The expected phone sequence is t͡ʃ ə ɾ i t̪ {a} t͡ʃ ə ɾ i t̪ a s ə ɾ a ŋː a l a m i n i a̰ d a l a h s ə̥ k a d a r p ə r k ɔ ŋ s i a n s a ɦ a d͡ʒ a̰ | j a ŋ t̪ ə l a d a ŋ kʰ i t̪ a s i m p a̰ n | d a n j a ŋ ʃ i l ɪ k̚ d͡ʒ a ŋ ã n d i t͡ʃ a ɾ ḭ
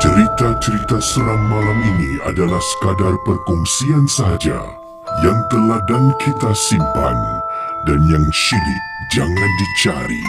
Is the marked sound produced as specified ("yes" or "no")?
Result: yes